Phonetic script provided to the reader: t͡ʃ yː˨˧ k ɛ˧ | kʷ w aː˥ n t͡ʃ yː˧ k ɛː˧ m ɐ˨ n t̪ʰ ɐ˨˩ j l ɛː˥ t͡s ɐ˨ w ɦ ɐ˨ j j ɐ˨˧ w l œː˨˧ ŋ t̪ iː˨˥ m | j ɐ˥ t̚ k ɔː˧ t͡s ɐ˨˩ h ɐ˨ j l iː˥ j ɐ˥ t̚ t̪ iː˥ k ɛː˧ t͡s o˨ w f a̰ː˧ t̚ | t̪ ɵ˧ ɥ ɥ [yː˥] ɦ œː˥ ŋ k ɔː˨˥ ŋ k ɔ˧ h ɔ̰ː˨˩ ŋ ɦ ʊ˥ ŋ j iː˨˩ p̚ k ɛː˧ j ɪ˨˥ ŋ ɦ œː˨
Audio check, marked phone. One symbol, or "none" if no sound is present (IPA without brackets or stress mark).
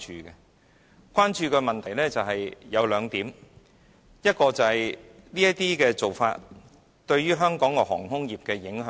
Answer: yː˥